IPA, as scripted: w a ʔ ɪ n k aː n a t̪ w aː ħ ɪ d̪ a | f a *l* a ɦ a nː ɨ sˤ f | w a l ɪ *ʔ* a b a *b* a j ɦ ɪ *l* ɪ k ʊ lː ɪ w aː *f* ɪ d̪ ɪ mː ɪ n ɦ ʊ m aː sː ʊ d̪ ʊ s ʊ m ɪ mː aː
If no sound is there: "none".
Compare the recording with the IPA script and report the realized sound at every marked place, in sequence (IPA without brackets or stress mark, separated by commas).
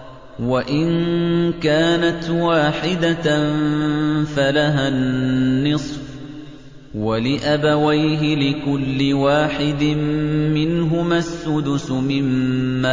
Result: l, ʔ, w, l, ħ